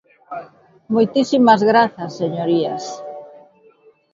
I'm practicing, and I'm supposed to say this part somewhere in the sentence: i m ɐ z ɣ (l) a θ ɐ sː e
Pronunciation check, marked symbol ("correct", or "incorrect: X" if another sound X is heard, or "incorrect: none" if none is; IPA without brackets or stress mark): incorrect: ɾ